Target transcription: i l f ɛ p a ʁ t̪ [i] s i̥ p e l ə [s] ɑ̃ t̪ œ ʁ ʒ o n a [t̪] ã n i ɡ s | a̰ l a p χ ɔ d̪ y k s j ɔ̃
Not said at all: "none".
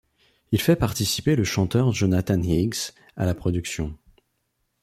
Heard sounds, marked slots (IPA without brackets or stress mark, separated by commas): i, ʃ, t̪